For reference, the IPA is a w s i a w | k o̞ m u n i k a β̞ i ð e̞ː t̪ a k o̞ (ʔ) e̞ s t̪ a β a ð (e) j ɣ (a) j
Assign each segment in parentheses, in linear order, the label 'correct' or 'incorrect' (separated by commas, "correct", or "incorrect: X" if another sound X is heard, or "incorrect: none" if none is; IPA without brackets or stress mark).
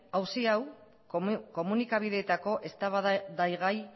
correct, incorrect: a, correct